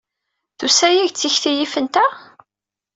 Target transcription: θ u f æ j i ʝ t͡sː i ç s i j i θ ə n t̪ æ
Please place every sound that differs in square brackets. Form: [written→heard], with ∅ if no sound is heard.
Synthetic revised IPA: θ u [f→s] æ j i ʝ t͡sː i ç [s→θ] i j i [θ→f] ə n t̪ æ